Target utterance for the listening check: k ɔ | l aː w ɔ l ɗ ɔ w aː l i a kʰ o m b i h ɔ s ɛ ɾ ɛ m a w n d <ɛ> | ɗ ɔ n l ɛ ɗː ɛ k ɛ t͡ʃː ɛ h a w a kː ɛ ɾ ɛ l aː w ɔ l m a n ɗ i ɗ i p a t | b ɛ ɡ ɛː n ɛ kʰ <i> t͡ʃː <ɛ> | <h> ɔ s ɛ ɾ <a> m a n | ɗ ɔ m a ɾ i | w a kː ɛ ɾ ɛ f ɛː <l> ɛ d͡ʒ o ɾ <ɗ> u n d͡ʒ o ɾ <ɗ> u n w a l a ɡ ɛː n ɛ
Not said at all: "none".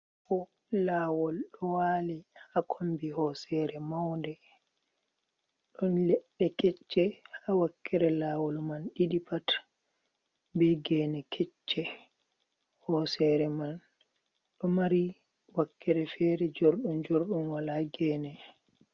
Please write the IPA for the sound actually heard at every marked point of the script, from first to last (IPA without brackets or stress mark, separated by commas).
ɛ, ɛ, ɛ, h, ɛ, ɾ, ɗ, ɗ